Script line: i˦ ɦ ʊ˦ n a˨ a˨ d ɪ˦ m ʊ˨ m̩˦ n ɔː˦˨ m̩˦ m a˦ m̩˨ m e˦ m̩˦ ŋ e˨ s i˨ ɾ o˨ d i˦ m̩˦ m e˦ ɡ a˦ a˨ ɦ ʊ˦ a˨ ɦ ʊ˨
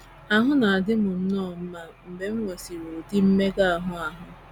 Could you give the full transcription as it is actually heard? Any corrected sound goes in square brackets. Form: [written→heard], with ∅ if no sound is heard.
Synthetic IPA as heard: [i˦→a˦] ɦ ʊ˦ n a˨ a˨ d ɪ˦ m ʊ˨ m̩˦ n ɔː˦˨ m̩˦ m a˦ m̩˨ [m→b] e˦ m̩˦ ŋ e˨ s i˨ ɾ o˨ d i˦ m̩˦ m e˦ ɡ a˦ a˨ ɦ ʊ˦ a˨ ɦ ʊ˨